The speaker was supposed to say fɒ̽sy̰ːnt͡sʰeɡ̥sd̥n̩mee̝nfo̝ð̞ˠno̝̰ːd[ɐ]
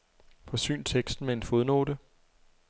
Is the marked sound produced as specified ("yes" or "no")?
no